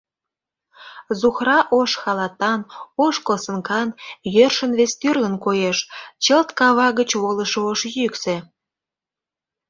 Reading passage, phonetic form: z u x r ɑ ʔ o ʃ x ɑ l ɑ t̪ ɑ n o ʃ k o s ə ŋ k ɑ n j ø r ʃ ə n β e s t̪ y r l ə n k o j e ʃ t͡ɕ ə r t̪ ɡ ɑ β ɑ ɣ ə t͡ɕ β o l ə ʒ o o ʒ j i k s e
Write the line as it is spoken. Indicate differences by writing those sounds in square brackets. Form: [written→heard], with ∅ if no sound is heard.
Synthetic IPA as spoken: z u x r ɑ ʔ o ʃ x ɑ l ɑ t̪ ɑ n o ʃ k o s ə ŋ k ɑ n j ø r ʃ ə n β e s t̪ y r l ə n k o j e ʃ t͡ɕ ə [r→l] t̪ [ɡ→k] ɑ β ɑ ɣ ə t͡ɕ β o l ə [ʒ→ʃ] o o [ʒ→ʃ] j [i→y] k s e